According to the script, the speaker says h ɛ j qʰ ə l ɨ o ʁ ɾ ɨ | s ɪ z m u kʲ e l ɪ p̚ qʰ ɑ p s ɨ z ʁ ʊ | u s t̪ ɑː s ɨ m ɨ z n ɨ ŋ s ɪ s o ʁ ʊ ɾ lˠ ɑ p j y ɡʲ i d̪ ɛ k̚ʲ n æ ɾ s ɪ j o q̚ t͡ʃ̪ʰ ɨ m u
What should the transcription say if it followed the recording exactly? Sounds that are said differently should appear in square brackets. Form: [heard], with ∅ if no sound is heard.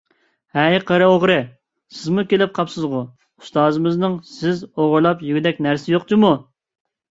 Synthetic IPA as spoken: h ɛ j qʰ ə [ɾ] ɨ o ʁ ɾ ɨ | s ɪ z m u kʲ e l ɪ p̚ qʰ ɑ p s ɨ z ʁ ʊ | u s t̪ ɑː [z] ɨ m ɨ z n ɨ ŋ s ɪ [z] o ʁ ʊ ɾ lˠ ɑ p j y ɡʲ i d̪ ɛ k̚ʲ n æ ɾ s ɪ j o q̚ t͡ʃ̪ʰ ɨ m u